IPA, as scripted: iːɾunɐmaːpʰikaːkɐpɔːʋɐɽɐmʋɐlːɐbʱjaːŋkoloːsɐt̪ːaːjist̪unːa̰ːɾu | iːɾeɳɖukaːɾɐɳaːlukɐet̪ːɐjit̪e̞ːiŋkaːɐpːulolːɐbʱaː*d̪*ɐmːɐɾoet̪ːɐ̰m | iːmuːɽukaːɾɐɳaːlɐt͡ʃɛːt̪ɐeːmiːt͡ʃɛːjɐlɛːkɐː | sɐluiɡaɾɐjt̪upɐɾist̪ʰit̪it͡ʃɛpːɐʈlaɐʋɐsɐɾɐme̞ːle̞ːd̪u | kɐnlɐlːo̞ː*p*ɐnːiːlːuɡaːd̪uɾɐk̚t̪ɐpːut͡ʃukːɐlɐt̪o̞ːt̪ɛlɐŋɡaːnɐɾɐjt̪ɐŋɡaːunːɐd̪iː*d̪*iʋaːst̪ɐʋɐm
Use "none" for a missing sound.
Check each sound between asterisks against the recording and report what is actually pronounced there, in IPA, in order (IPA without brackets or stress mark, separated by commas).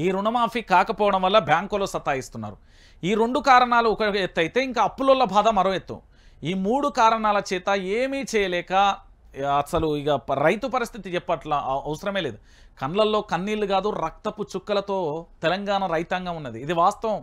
d̪, k, d̪